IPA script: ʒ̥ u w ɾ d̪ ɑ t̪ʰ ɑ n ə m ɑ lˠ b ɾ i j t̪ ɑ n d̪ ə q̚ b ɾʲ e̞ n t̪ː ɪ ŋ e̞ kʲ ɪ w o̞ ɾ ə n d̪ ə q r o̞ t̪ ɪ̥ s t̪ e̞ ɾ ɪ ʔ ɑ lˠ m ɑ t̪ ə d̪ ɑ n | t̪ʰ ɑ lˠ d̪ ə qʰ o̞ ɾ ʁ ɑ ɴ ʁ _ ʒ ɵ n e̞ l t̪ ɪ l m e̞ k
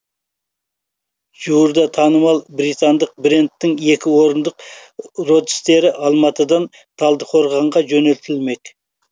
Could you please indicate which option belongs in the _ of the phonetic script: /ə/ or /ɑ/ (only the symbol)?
ɑ